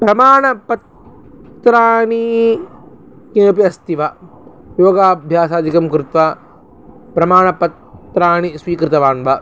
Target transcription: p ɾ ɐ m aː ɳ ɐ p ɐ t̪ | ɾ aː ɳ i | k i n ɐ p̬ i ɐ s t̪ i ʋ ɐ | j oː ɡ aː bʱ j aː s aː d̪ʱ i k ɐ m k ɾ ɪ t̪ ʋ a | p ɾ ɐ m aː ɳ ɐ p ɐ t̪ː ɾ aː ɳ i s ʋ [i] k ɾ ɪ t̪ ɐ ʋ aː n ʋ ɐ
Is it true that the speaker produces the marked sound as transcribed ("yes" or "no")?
no